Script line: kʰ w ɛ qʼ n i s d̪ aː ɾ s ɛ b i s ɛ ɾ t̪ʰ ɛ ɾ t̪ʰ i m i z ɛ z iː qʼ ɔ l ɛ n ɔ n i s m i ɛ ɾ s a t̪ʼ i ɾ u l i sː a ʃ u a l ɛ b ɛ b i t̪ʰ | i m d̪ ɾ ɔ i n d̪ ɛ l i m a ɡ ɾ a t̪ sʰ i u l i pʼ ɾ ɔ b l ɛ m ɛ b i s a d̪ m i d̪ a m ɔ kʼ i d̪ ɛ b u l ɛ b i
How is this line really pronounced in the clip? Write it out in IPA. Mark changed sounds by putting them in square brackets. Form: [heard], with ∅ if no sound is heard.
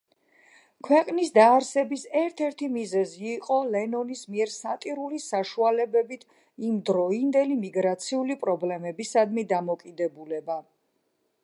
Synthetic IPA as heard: kʰ w ɛ qʼ n i s d̪ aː ɾ s ɛ b i s ɛ ɾ t̪ʰ ɛ ɾ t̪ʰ i m i z ɛ z iː qʼ ɔ l ɛ n ɔ n i s m i ɛ ɾ s a t̪ʼ i ɾ u l i [s] a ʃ u a l ɛ b ɛ b i t̪ʰ | i m d̪ ɾ ɔ i n d̪ ɛ l i m [i] ɡ ɾ a t̪ sʰ i u l i pʼ ɾ ɔ b l ɛ m ɛ b i s a d̪ m i d̪ a m ɔ kʼ i d̪ ɛ b u l ɛ b [a]